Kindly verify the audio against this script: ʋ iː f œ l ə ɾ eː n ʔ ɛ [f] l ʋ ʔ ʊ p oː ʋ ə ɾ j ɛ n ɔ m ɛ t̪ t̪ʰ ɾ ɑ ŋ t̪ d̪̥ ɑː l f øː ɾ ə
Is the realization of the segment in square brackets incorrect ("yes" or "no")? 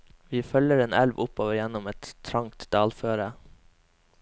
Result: yes